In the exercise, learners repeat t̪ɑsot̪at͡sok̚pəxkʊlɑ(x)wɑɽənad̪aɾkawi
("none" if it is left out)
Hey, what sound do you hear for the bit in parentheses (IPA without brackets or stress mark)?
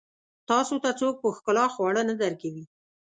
x